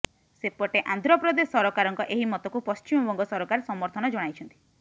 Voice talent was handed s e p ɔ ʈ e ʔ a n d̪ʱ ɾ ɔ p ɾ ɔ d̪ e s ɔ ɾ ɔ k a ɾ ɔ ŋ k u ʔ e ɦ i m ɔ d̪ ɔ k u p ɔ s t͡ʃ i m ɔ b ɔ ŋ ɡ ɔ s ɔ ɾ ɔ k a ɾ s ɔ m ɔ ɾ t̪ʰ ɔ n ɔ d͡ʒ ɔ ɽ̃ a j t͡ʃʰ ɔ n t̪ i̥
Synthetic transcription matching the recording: s e p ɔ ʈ e ʔ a n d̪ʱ ɾ ɔ p ɾ ɔ d̪ e s ɔ ɾ ɔ k a ɾ ɔ ŋ k ɔ ʔ e ɦ i m ɔ t̪ ɔ k u p ɔ s t͡ʃ i m ɔ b ɔ ŋ ɡ ɔ s ɔ ɾ ɔ k a ɾ s ɔ m ɔ ɾ t̪ʰ ɔ n ɔ d͡ʒ ɔ ɽ̃ a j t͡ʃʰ ɔ n t̪ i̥

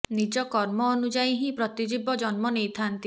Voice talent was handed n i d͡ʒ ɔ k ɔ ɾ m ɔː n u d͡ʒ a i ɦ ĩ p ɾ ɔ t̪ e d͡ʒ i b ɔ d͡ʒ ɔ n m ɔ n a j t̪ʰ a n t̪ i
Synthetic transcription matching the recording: n i d͡ʒ ɔ k ɔ ɾ m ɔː n u d͡ʒ a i ɦ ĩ p ɾ ɔ t̪ i d͡ʒ i b ɔ d͡ʒ ɔ n m ɔ n e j t̪ʰ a n t̪ i

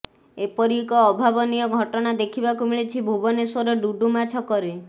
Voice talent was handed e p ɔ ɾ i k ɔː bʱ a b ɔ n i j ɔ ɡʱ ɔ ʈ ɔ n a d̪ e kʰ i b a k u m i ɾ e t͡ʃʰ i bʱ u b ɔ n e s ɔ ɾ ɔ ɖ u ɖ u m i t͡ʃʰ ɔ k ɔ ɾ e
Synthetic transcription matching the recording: e p ɔ ɾ i k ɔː bʱ a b ɔ n i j ɔ ɡʱ ɔ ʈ ɔ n a d̪ e kʰ i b a k u m i ɭ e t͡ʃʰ i bʱ u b ɔ n e s ɔ ɾ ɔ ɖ u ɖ u m a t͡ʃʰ ɔ k ɔ ɾ e

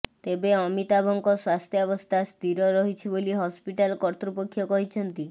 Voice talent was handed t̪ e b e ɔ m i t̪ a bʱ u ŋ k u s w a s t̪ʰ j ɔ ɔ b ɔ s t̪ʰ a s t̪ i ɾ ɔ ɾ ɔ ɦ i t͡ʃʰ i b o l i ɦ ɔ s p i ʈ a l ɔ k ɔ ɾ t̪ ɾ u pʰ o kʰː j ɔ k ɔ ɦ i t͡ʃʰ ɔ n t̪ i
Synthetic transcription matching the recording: t̪ e b e ɔ m i t̪ a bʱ ɔ ŋ k ɔ s w a s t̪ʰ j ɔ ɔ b ɔ s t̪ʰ a s t̪ i ɾ ɔ ɾ ɔ ɦ i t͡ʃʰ i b o l i ɦ ɔ s p i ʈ a l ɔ k ɔ ɾ t̪ ɾ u p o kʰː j ɔ k ɔ ɦ i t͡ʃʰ ɔ n t̪ i

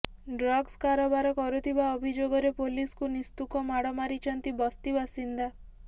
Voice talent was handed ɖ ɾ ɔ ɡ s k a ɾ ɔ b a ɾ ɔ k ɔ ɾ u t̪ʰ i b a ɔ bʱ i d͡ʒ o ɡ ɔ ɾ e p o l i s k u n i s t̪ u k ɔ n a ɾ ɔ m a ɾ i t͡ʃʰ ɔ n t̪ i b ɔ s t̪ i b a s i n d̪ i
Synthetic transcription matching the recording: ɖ ɾ ɔ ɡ s k a ɾ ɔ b a ɾ ɔ k ɔ ɾ u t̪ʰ i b a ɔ bʱ i d͡ʒ o ɡ ɔ ɾ e p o l i s k u n i s t̪ u k ɔ m a ɽ ɔ m a ɾ i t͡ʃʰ ɔ n t̪ i b ɔ s t̪ i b a s i n d̪ a

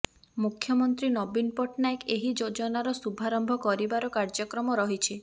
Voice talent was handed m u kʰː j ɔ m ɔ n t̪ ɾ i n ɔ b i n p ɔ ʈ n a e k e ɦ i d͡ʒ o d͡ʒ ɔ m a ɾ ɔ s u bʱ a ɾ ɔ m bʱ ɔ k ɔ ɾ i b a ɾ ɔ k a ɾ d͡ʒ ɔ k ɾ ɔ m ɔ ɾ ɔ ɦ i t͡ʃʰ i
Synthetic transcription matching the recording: m u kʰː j ɔ m ɔ n t̪ ɾ i n ɔ b i n p ɔ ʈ n a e k e ɦ i d͡ʒ o d͡ʒ ɔ n a ɾ ɔ s u bʱ a ɾ ɔ m bʱ ɔ k ɔ ɾ i b a ɾ ɔ k a ɾ d͡ʒ ɔ k ɾ ɔ m ɔ ɾ ɔ ɦ i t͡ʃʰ i

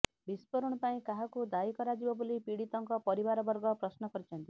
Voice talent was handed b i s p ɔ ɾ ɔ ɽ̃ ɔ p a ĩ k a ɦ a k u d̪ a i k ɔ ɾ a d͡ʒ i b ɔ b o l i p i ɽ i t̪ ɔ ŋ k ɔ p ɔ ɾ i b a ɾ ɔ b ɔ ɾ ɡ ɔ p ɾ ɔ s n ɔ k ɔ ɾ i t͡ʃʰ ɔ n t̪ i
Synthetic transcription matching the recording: b i s p ɔ ɾ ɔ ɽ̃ ɔ p a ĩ k a ɦ a k u d̪ a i k ɔ ɾ a d͡ʒ i b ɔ b o l i p i ɽ i t̪ ɔ ŋ k ɔ p ɔ ɾ i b a ɾ ɔ b ɔ ɾ ɡ ɔ p ɾ ɔ s n ɔ k ɔ ɾ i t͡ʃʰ ɔ n t̪ i

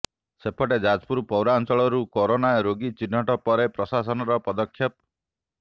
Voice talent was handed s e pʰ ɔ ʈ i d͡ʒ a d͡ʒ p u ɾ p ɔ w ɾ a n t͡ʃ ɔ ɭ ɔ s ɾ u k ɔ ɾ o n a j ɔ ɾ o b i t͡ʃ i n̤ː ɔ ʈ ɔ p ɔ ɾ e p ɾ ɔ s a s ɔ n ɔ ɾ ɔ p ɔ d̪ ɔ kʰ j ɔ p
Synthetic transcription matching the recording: s e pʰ ɔ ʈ e d͡ʒ a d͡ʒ p u ɾ p ɔ w ɾ a n t͡ʃ ɔ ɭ ɔ ɾ u k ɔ ɾ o n a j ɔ ɾ o ɡ i t͡ʃ i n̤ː ɔ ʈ ɔ p ɔ ɾ e p ɾ ɔ s a s ɔ n ɔ ɾ ɔ p ɔ d̪ ɔ kʰ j ɔ p

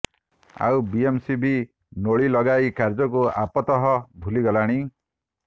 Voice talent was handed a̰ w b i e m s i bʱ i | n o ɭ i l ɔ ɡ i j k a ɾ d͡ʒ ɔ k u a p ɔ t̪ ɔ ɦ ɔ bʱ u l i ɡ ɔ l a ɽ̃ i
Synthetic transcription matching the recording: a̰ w b i e m s i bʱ i | n o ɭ i l ɔ ɡ a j k a ɾ d͡ʒ ɔ k u a p ɔ t̪ ɔ ɦ ɔ bʱ u l i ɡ ɔ l a ɽ̃ i

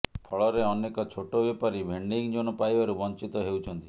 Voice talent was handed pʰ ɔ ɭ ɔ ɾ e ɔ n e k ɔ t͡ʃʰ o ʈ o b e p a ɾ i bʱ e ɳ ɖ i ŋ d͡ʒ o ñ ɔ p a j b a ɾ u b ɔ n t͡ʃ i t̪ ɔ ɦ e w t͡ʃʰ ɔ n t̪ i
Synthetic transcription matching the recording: pʰ ɔ ɭ ɔ ɾ e ɔ n e k ɔ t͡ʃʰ o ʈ o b e p a ɾ i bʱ e ɳ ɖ i ŋ d͡ʒ o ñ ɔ p a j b a ɾ u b ɔ n t͡ʃ i t̪ ɔ ɦ e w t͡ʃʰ ɔ n t̪ i

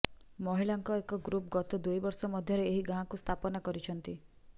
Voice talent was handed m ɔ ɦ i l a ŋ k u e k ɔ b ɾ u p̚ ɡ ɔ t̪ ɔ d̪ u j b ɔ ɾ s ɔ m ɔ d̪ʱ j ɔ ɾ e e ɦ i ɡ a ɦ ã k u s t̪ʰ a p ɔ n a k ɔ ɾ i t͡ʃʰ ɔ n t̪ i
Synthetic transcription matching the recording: m ɔ ɦ i l a ŋ k ɔ e k ɔ ɡ ɾ u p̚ ɡ ɔ t̪ ɔ d̪ u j b ɔ ɾ s ɔ m ɔ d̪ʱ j ɔ ɾ e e ɦ i ɡ a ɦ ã k u s t̪ʰ a p ɔ n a k ɔ ɾ i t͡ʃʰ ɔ n t̪ i

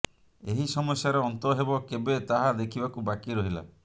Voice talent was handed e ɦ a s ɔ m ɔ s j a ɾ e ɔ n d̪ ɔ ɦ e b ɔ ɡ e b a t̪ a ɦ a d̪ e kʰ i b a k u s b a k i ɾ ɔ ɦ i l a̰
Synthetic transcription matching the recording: e ɦ i s ɔ m ɔ s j a ɾ e ɔ n t̪ ɔ ɦ e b ɔ k e b e t̪ a ɦ a d̪ e kʰ i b a k u b a k i ɾ ɔ ɦ i l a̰

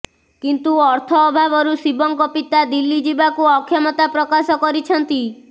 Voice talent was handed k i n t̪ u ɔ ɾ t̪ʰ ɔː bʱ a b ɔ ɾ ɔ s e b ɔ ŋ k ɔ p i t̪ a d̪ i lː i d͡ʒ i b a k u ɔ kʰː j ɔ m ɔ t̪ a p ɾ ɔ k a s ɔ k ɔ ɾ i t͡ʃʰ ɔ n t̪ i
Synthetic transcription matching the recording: k i n t̪ u ɔ ɾ t̪ʰ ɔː bʱ a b ɔ ɾ u s i b ɔ ŋ k ɔ p i t̪ a d̪ i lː i d͡ʒ i b a k u ɔ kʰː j ɔ m ɔ t̪ a p ɾ ɔ k a s ɔ k ɔ ɾ i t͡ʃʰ ɔ n t̪ i

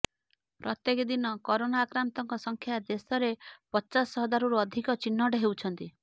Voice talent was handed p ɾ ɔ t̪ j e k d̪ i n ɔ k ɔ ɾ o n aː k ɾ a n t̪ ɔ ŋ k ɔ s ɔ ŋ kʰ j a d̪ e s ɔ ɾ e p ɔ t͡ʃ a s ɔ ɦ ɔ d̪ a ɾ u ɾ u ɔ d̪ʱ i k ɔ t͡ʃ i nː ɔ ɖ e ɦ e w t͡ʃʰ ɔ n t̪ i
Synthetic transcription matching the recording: p ɾ ɔ t̪ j e k d̪ i n ɔ k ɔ ɾ o n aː k ɾ a n t̪ ɔ ŋ k ɔ s ɔ ŋ kʰ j a d̪ e s ɔ ɾ e p ɔ t͡ʃ a s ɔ ɦ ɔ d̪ a ɾ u ɾ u ɔ d̪ʱ i k ɔ t͡ʃ i nː ɔ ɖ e ɦ e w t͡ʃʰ ɔ n t̪ i

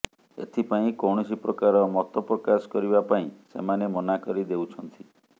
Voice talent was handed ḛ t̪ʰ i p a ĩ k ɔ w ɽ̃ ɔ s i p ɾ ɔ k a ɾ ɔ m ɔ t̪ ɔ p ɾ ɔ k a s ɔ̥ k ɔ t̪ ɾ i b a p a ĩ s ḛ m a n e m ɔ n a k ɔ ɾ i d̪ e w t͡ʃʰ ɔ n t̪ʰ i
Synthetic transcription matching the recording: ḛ t̪ʰ i p a ĩ k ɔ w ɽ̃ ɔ s i p ɾ ɔ k a ɾ ɔ m ɔ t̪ ɔ p ɾ ɔ k a s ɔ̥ k ɔ ɾ i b a p a ĩ s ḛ m a n e m ɔ n a k ɔ ɾ i d̪ e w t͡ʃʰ ɔ n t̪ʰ i

